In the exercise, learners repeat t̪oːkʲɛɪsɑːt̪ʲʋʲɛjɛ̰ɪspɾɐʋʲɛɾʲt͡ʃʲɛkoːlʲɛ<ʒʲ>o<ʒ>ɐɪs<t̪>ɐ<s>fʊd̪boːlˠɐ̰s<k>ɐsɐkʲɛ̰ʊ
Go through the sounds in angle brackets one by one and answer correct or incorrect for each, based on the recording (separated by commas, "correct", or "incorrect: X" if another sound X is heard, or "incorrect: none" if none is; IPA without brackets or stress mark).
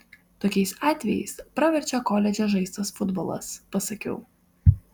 incorrect: d͡ʒʲ, correct, correct, correct, incorrect: p